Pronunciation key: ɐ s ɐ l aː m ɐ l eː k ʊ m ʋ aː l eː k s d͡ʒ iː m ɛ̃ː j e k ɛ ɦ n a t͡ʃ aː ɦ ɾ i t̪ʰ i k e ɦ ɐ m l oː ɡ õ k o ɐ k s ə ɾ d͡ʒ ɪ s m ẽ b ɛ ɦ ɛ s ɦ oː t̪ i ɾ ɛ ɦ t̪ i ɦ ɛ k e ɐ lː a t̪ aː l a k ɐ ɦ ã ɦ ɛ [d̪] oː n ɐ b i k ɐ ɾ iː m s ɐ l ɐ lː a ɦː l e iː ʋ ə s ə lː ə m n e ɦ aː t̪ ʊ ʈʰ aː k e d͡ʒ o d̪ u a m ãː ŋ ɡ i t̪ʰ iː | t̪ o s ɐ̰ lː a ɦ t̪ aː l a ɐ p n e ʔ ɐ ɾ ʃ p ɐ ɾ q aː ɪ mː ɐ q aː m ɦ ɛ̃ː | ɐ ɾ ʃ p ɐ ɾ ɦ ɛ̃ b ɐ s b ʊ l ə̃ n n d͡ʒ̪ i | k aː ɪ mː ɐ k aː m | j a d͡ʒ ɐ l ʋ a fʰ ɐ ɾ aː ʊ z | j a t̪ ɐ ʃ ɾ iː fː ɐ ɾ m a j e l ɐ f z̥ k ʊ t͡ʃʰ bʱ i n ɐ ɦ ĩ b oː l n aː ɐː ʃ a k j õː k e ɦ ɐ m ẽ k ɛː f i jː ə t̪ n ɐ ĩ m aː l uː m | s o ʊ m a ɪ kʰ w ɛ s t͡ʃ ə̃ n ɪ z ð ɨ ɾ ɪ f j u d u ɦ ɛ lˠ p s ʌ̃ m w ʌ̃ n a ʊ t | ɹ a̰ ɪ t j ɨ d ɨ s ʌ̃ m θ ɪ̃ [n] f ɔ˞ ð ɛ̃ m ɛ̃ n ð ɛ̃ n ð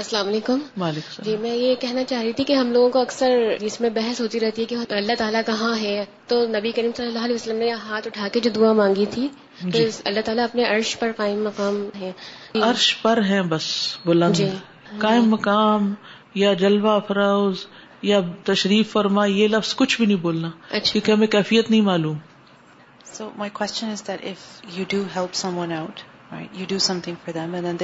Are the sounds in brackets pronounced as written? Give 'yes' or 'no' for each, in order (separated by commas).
no, no